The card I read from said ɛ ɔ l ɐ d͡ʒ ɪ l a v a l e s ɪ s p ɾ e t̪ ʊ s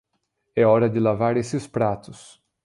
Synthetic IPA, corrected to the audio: ɛ ɔ ɾ ɐ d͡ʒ ɪ l a v a ɾ e s ɪ s p ɾ a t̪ ʊ s